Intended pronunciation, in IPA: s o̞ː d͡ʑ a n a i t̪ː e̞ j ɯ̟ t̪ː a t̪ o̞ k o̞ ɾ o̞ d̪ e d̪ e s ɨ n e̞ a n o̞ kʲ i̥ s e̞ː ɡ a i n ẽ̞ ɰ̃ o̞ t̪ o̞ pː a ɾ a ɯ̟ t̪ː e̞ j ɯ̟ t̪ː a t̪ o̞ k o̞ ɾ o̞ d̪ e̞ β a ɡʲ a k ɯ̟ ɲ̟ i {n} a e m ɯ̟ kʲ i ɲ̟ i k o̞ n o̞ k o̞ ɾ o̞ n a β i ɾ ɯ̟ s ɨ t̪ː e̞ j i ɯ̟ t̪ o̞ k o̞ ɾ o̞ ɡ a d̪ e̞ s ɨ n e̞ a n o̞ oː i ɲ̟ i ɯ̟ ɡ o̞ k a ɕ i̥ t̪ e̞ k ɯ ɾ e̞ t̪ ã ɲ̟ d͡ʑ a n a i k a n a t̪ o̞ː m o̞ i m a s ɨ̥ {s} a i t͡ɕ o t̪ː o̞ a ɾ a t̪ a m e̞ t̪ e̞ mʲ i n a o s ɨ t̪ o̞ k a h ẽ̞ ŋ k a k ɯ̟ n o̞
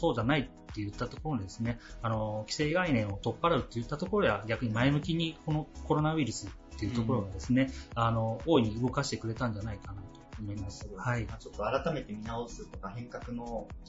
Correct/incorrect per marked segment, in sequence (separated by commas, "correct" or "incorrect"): incorrect, incorrect